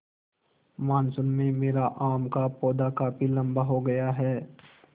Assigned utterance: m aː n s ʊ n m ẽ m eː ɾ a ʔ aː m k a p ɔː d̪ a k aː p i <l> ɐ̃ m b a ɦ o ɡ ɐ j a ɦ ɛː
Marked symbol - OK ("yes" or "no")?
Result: yes